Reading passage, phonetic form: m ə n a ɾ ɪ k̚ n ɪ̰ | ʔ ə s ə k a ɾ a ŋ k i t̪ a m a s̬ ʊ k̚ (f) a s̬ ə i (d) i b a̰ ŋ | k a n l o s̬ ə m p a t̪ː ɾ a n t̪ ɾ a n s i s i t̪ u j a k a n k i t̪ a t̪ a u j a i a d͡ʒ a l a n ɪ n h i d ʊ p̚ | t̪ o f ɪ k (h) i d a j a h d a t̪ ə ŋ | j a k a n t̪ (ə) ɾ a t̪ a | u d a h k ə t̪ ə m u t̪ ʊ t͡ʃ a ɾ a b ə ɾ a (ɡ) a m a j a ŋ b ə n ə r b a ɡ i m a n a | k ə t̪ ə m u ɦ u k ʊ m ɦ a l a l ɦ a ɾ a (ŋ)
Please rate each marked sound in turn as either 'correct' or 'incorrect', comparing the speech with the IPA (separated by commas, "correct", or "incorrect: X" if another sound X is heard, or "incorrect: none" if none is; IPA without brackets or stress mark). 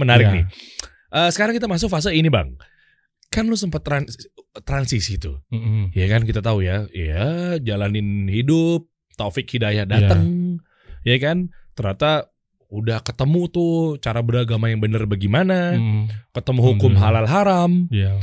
correct, incorrect: n, correct, correct, correct, incorrect: m